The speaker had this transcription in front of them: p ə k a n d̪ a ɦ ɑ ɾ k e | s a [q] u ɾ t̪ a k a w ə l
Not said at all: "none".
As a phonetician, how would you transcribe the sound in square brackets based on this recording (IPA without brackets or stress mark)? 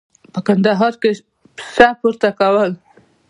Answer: p